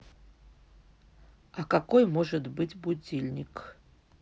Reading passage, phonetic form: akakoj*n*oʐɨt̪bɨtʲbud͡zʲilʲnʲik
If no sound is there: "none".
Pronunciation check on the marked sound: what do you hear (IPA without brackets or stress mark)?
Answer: m